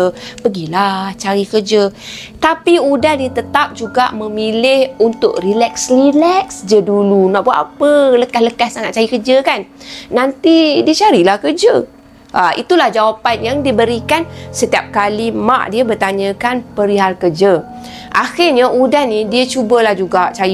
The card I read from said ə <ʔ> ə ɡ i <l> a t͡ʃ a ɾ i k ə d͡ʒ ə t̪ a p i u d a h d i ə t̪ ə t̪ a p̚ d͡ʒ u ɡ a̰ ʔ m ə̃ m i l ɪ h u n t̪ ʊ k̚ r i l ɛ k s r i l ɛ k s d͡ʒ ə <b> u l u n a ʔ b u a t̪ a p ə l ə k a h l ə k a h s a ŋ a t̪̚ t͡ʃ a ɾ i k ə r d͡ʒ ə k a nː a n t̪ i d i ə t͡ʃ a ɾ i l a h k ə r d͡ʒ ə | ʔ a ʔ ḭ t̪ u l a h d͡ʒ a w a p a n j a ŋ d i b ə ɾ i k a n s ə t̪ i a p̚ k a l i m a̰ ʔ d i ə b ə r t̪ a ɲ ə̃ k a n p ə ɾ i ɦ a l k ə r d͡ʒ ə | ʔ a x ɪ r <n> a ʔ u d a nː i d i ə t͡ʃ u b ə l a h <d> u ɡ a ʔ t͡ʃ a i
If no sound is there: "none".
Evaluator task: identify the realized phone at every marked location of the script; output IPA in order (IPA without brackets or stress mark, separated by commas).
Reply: p, l, d, ɲ, d͡ʒ